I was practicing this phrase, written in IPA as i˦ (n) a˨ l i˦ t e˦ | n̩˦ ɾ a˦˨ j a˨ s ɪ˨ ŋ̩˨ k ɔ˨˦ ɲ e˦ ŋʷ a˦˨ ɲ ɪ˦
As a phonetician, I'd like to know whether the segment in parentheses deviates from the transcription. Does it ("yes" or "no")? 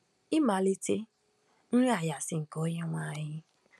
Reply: yes